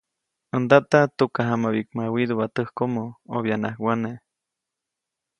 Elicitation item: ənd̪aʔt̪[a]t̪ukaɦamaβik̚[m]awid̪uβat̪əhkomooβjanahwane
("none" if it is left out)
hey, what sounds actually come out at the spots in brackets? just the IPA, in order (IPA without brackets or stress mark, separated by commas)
a, m